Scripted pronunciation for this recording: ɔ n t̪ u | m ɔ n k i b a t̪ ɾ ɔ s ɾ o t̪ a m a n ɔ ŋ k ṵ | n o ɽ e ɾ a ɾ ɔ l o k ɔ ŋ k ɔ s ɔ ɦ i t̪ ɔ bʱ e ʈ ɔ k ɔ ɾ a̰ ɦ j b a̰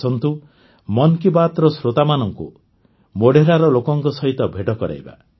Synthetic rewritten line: ɔ n t̪ u | m ɔ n k i b a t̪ ɾ ɔ s ɾ o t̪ a m a n ɔ ŋ k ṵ | m o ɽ e ɾ a ɾ ɔ l o k ɔ ŋ k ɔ s ɔ ɦ i t̪ ɔ bʱ e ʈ ɔ k ɔ ɾ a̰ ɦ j b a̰